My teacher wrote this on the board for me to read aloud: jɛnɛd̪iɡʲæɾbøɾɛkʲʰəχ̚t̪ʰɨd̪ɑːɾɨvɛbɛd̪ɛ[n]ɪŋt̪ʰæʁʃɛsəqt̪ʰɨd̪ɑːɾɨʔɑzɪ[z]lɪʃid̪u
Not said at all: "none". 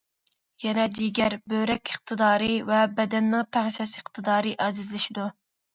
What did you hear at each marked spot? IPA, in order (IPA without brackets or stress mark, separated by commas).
nː, z